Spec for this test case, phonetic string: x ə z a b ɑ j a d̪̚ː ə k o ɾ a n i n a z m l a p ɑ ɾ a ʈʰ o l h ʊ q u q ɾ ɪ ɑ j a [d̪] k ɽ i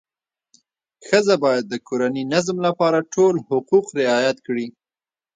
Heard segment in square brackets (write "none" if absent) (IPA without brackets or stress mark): t̪